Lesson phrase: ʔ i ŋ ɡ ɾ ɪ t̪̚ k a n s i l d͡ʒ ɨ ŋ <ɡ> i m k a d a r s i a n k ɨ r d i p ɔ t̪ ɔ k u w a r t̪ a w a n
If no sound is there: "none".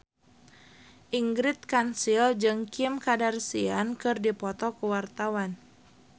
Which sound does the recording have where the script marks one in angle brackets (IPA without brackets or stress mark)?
k